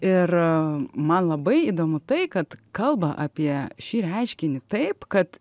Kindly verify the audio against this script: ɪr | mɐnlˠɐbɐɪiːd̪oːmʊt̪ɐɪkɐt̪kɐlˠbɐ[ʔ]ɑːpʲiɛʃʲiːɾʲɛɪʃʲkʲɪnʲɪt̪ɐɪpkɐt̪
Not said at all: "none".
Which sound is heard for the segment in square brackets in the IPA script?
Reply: ʔ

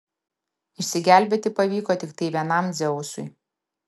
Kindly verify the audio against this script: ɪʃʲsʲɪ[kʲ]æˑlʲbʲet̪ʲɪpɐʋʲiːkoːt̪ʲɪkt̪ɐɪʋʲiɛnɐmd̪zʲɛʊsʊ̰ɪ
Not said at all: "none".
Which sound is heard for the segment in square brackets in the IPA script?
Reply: ɡʲ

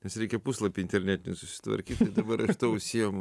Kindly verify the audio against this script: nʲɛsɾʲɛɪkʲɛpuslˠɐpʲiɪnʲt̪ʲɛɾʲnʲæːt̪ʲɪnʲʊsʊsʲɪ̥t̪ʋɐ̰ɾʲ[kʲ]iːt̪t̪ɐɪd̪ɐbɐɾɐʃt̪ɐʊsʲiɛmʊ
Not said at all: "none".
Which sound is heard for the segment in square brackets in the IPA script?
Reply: kʲ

